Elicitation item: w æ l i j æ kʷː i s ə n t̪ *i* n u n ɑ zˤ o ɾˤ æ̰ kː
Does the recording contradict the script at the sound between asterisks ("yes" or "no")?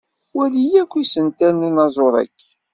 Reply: yes